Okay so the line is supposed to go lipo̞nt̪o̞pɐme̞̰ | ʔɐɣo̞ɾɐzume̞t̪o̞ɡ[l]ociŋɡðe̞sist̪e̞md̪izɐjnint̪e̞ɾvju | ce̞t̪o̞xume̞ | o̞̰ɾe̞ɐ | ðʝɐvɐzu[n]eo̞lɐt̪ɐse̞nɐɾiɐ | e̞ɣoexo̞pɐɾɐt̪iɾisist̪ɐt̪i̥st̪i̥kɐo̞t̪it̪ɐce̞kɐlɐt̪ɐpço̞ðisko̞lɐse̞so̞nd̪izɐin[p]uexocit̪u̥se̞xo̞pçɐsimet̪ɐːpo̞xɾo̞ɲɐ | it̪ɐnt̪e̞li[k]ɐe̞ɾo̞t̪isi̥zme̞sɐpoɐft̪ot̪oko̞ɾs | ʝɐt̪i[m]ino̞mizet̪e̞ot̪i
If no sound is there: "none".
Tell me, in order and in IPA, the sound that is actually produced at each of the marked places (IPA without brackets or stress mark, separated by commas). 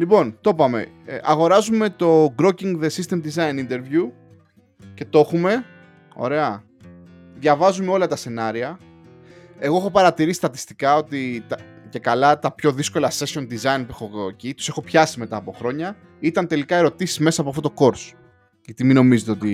ɾ, m, p, k, m